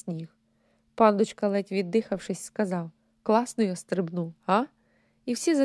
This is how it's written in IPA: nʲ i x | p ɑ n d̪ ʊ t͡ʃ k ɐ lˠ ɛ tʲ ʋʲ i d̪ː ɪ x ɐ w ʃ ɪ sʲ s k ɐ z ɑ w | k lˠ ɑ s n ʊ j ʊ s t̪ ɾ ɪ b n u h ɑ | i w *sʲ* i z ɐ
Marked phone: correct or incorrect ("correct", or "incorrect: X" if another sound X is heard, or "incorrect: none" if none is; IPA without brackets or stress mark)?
correct